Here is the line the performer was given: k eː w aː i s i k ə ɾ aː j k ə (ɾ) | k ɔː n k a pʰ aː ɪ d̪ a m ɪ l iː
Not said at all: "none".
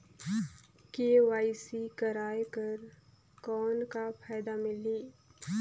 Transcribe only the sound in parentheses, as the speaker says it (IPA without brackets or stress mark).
ɾ